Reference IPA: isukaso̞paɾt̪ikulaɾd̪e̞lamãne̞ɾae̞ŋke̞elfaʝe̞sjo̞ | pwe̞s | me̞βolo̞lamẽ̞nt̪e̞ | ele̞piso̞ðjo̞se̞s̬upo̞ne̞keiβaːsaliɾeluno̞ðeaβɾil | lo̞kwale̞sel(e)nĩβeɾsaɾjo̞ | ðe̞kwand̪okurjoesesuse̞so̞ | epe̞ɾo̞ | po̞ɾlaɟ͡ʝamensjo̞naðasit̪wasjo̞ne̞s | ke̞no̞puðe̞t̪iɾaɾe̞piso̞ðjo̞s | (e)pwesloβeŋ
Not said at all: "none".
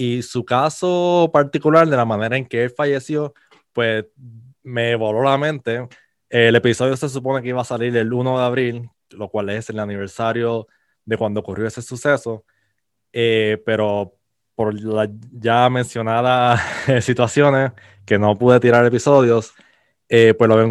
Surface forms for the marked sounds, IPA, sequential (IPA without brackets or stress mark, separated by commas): a, e